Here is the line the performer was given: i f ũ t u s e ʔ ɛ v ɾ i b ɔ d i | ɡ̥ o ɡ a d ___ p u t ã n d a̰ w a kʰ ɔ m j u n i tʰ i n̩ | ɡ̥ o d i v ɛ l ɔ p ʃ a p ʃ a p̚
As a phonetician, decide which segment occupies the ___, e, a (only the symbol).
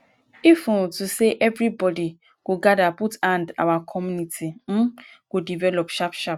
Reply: a